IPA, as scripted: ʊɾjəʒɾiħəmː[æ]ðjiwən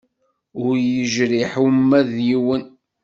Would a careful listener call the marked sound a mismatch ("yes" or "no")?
no